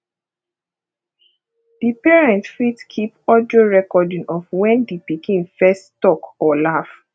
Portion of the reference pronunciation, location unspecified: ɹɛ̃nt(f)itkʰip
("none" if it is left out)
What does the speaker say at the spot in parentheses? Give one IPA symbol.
f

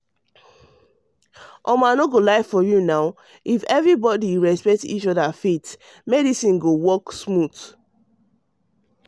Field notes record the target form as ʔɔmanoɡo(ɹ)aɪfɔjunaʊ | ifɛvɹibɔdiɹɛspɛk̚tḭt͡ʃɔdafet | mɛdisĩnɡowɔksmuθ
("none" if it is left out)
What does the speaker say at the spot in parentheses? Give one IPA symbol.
l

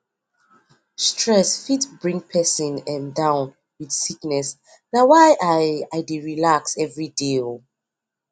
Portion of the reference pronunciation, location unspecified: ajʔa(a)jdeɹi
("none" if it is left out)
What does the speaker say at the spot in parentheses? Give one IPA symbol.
a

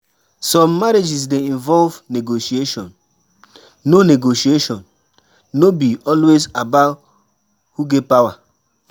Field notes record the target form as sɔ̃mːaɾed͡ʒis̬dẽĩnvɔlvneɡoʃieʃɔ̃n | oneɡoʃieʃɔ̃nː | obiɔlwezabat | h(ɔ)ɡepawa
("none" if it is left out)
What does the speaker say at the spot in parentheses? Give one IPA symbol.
u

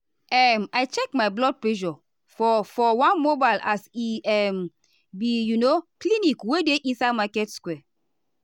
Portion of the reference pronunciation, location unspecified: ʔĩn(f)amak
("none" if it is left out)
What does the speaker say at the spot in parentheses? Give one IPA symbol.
s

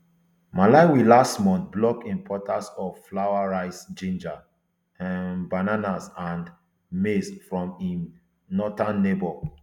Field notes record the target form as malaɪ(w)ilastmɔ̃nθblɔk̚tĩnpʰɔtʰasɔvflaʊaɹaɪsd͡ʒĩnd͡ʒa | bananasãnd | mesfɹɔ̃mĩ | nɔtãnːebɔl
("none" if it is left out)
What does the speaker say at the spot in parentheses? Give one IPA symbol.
w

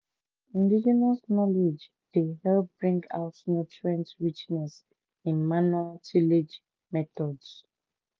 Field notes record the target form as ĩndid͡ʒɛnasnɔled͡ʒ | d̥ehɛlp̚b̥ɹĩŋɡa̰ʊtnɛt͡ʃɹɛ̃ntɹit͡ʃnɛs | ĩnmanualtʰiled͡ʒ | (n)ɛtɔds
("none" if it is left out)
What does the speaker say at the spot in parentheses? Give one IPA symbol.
m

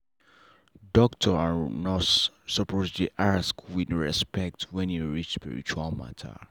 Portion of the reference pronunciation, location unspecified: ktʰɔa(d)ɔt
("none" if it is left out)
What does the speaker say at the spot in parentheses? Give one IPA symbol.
n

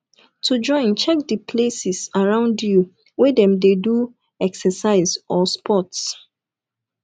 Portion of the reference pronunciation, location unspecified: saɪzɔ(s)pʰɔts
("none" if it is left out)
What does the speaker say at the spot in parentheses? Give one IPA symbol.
s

